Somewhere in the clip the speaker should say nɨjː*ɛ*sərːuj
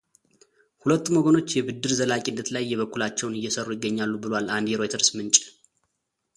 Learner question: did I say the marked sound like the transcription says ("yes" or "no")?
yes